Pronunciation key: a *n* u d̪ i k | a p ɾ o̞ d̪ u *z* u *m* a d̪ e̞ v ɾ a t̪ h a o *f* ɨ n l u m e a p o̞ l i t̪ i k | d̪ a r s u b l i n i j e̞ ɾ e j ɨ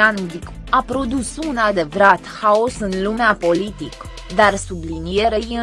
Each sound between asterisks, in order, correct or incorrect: correct, incorrect: s, incorrect: n, incorrect: s

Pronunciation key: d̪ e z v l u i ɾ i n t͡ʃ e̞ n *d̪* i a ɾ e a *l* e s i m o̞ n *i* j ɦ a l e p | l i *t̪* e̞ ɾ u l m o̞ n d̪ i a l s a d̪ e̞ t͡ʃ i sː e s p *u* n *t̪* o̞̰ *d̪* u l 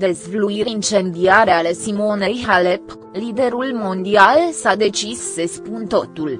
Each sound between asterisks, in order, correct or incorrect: correct, correct, incorrect: e, incorrect: d̪, correct, correct, incorrect: t̪

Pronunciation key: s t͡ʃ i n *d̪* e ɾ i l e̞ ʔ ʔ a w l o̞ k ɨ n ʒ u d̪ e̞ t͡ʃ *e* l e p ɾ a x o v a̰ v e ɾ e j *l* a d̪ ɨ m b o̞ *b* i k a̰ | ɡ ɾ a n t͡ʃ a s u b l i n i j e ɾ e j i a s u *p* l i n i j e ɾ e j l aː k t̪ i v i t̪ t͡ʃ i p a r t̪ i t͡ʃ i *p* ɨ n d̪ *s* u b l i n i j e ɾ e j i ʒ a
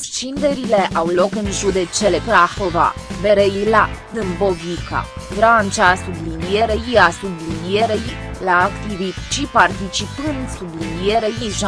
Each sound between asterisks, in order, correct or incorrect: correct, correct, correct, incorrect: v, incorrect: b, correct, correct

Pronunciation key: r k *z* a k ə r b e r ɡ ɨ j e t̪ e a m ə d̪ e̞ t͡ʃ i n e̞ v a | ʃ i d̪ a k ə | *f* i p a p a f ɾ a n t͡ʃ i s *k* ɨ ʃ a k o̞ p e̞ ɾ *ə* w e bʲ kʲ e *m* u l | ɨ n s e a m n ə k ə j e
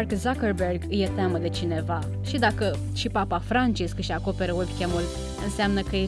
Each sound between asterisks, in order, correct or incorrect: correct, incorrect: ʃ, correct, correct, correct

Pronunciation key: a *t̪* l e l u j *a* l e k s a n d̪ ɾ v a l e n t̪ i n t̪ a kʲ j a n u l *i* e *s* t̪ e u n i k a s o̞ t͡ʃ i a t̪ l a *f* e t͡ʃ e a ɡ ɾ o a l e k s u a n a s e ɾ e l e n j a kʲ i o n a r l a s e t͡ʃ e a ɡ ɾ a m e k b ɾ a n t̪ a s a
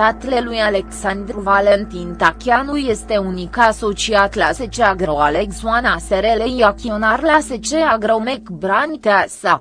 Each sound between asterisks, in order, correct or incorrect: correct, correct, incorrect: j, correct, incorrect: s

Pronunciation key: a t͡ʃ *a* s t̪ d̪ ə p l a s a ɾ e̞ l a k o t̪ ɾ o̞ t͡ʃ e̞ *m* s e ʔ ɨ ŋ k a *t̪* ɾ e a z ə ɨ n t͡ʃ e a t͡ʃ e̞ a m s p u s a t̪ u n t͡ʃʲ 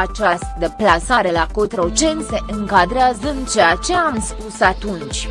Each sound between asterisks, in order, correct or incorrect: correct, incorrect: n, incorrect: d̪

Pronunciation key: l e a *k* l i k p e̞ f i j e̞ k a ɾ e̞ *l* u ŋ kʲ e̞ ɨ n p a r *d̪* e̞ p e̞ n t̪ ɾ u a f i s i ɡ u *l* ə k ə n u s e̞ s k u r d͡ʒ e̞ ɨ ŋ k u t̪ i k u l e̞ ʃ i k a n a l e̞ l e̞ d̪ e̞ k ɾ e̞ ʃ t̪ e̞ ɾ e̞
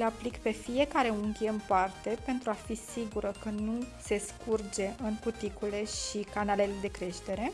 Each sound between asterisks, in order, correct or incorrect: incorrect: p, incorrect: none, incorrect: t̪, incorrect: ɾ

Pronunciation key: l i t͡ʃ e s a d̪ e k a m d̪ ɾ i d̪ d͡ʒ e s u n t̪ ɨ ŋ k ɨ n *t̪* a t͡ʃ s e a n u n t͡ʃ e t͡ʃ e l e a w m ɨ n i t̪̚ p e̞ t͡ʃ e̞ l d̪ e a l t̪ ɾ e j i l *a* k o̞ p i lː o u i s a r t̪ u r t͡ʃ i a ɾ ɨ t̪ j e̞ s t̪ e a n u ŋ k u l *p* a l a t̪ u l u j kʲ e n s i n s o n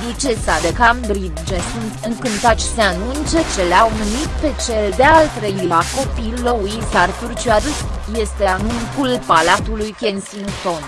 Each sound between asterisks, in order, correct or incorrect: correct, correct, correct

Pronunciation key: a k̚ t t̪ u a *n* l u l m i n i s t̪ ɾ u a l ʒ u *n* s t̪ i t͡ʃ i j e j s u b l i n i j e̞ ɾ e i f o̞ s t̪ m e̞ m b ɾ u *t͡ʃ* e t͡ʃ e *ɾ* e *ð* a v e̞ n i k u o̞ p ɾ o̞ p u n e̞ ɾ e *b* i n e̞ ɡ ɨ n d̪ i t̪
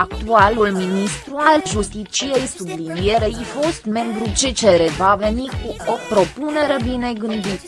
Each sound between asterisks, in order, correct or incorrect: incorrect: none, incorrect: none, correct, correct, incorrect: v, correct

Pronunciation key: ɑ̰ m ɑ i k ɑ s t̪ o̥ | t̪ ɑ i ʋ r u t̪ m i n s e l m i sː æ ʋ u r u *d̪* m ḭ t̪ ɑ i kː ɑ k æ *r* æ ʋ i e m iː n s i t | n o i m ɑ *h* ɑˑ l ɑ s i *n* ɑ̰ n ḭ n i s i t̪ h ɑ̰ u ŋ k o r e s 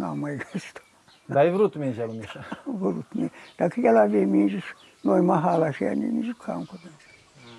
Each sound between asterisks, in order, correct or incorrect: incorrect: t̪, incorrect: l, correct, incorrect: none

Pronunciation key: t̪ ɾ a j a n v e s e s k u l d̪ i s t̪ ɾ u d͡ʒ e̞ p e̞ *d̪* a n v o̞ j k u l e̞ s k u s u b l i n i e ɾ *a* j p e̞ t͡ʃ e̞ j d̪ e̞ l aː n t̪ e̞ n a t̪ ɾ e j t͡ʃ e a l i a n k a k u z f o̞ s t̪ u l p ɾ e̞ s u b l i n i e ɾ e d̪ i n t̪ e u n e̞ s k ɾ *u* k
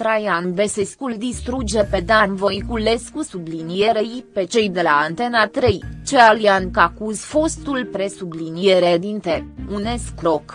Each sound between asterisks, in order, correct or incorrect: correct, incorrect: e, incorrect: o

